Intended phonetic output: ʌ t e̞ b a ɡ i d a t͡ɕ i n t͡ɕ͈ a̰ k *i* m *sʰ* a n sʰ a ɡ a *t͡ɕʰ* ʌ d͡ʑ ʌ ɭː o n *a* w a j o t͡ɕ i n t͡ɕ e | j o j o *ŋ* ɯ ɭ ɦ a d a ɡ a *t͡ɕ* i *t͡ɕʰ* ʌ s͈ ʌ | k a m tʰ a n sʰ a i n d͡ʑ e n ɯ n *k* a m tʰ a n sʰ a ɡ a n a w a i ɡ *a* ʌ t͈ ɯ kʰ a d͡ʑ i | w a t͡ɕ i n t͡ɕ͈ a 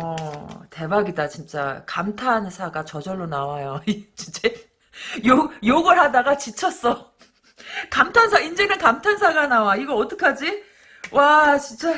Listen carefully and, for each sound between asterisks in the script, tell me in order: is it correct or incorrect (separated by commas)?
incorrect, incorrect, incorrect, correct, incorrect, correct, correct, correct, incorrect